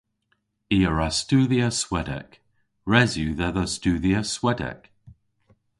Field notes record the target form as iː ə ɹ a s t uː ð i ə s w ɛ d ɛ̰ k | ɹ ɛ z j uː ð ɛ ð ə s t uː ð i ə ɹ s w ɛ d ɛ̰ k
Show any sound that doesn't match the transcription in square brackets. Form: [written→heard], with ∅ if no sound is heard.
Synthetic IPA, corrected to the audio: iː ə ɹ a s t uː ð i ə s w ɛ d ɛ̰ k | ɹ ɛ z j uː ð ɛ ð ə s t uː ð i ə [ɹ→∅] s w ɛ d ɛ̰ k